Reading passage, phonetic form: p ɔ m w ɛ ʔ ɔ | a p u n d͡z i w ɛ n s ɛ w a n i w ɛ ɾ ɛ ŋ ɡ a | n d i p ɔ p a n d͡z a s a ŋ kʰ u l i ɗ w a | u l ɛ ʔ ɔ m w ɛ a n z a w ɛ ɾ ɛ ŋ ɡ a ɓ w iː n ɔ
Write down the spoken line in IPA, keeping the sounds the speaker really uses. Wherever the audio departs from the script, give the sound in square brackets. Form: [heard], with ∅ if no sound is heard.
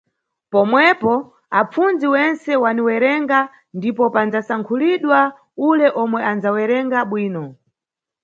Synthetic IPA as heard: p ɔ m w ɛ [p] ɔ | a [p͡f] u n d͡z i w ɛ n s ɛ w a n i w ɛ ɾ ɛ ŋ ɡ a | n d i p ɔ p a n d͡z a s a ŋ kʰ u l i ɗ w a | u l ɛ ʔ ɔ m w ɛ a n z a w ɛ ɾ ɛ ŋ ɡ a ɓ w iː n ɔ